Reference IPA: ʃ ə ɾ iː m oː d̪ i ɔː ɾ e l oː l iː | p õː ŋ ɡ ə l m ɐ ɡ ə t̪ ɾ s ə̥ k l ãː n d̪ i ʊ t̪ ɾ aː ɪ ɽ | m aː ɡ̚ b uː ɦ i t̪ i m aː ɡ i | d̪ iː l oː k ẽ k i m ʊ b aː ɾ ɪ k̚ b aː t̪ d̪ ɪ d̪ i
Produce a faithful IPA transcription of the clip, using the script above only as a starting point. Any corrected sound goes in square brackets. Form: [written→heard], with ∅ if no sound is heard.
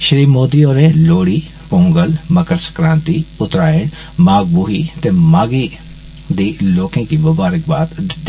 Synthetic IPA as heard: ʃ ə ɾ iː m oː d̪ i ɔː ɾ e l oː [l→ɽ] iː | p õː ŋ ɡ ə l m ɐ [ɡ→k] ə [t̪→∅] ɾ s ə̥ k [l→ɾ] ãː n [d̪→t̪] i ʊ t̪ ɾ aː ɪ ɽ | m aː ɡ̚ b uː ɦ i t̪ [i→e] m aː ɡ i | d̪ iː l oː k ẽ k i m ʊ b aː ɾ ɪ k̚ b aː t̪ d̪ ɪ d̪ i